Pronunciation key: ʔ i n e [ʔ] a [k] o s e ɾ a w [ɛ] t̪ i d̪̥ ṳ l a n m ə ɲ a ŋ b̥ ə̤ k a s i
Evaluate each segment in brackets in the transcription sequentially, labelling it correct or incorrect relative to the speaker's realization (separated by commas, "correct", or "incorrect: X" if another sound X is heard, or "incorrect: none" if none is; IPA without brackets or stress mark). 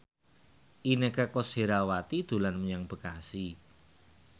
incorrect: k, correct, incorrect: a